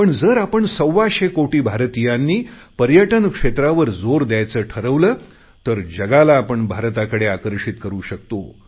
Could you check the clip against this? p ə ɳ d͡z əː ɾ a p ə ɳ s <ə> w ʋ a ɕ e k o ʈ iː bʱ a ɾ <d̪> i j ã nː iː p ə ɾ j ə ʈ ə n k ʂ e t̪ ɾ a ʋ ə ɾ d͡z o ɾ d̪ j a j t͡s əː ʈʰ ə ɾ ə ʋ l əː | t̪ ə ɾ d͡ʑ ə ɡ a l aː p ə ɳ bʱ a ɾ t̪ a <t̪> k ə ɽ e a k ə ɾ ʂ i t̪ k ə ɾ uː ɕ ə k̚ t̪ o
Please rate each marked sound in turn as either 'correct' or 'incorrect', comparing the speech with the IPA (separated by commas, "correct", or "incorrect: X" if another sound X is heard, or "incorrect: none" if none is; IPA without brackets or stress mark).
correct, incorrect: t̪, incorrect: none